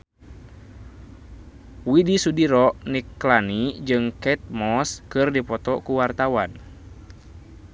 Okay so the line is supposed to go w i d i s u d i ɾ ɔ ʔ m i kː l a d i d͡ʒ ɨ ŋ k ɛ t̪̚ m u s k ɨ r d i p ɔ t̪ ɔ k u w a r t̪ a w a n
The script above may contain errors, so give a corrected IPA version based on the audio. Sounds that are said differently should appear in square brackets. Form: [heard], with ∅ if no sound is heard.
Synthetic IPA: w i d i s u d i ɾ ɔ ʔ [n] i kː l a [n] i d͡ʒ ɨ ŋ k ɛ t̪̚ m [ɔ] s k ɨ r d i p ɔ t̪ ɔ k u w a r t̪ a w a n